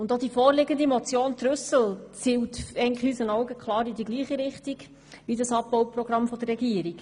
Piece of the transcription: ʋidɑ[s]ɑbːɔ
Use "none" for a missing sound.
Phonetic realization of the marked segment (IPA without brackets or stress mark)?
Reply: s